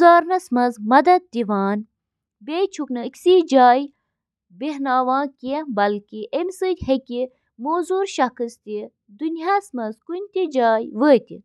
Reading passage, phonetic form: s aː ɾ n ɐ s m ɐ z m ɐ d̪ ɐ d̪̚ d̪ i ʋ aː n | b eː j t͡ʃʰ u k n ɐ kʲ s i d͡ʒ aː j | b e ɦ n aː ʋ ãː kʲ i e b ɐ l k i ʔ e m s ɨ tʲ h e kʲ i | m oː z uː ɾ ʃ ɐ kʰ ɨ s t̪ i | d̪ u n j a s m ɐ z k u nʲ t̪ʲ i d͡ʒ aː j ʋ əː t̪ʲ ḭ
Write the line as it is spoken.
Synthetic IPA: z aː ɾ n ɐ s m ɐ z m ɐ d̪ ɐ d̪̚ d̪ i ʋ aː n | b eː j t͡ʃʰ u k n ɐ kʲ s i d͡ʒ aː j | b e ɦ n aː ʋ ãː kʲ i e b ɐ l k i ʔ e m s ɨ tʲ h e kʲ i | m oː z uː ɾ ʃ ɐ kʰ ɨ s t̪ i | d̪ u n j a s m ɐ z k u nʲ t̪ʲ i d͡ʒ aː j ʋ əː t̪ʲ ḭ